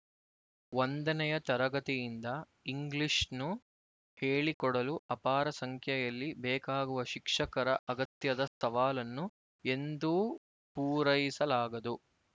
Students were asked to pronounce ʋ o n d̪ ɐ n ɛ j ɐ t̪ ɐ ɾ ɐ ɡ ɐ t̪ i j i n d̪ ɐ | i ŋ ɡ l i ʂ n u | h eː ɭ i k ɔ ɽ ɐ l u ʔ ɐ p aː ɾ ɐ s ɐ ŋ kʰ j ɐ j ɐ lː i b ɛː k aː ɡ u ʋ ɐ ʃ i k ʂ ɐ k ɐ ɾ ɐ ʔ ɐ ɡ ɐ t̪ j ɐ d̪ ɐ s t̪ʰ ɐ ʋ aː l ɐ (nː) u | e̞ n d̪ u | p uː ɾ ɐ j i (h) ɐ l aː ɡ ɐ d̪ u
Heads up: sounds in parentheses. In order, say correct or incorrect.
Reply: correct, incorrect: s

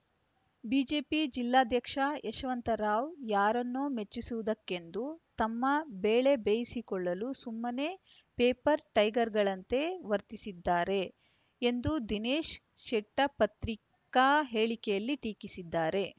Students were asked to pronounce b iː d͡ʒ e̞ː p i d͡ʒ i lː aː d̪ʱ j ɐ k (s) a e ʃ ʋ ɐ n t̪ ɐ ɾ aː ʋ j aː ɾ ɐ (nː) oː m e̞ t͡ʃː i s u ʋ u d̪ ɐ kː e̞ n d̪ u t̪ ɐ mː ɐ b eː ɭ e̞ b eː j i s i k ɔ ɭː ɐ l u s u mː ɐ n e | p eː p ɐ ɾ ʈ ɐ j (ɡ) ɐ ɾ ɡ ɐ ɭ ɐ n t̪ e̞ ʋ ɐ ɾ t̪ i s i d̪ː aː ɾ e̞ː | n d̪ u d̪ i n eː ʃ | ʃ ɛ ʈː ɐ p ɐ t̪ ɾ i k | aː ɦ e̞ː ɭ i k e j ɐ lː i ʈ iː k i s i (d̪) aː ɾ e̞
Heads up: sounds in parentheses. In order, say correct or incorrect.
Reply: incorrect: ʂ, correct, correct, incorrect: d̪ː

